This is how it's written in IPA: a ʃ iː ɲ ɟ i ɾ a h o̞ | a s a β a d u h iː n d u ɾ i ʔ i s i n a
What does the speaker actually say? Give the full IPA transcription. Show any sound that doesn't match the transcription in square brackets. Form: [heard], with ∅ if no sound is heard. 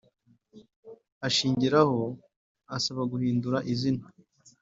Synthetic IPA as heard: a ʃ iː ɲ ɟ i ɾ a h o̞ | a s a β a [ɡ] u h iː n d u ɾ [a] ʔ i [z] i n a